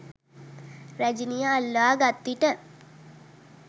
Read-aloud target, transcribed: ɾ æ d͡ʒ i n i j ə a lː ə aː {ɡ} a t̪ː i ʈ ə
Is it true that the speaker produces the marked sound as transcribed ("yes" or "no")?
yes